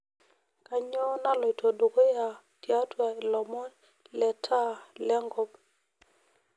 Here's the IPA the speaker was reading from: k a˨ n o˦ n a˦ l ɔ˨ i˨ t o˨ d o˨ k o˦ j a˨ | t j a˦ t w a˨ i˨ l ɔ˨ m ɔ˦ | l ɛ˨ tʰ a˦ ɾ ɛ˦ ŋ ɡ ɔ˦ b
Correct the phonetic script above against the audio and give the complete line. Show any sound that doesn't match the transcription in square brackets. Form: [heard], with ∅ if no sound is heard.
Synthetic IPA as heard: k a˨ [ɲ] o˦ n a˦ l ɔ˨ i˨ t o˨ d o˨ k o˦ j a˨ | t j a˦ t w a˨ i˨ l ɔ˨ m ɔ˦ | l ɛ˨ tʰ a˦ [l] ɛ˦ ŋ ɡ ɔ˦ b